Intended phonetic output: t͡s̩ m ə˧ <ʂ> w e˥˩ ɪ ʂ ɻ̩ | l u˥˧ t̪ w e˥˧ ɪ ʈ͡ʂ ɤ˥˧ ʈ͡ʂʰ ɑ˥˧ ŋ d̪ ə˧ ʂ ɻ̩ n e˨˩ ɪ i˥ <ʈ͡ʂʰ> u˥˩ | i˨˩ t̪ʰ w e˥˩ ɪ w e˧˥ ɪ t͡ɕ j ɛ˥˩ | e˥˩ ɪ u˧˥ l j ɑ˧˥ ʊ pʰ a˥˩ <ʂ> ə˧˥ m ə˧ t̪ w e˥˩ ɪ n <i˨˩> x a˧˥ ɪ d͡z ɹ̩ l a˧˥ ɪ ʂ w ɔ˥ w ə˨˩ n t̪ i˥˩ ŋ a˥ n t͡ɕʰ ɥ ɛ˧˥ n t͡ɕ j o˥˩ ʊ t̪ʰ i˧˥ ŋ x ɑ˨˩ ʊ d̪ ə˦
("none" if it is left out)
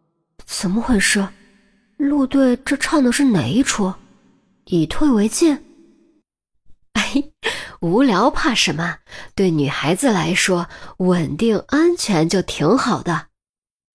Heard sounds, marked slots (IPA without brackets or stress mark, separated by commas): x, ʈ͡ʂʰ, ʂ, y˨˩